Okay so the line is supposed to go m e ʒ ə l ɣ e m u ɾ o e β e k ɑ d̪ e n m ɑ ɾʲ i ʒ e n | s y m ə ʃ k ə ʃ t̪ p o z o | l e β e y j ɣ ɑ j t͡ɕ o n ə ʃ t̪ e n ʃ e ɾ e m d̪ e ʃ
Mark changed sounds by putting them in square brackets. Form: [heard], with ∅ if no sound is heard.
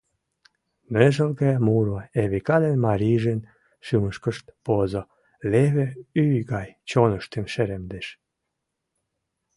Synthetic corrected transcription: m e ʒ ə l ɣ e m u ɾ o e β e k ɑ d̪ e n m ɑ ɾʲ i ʒ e n | [ʃ] y m ə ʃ k ə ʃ t̪ p o z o | l e β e y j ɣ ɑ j t͡ɕ o n ə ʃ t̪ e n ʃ e ɾ e m d̪ e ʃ